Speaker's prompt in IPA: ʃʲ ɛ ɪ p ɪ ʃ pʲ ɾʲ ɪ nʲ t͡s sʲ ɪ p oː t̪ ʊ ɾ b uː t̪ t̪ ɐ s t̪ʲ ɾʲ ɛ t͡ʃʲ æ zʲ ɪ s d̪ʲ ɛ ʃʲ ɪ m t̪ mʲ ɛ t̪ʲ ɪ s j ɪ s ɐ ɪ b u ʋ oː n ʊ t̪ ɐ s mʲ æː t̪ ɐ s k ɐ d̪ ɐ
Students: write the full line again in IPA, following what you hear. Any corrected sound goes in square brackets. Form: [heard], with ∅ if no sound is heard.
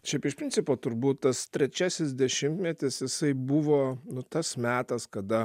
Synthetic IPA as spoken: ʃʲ ɛ ɪ p ɪ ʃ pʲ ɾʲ ɪ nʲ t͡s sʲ ɪ p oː t̪ ʊ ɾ b uː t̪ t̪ ɐ s t̪ʲ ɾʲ ɛ t͡ʃʲ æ [sʲ] ɪ s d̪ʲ ɛ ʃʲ ɪ m t̪ mʲ ɛ t̪ʲ ɪ s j ɪ s ɐ ɪ b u ʋ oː n ʊ t̪ ɐ s mʲ æː t̪ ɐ s k ɐ d̪ ɐ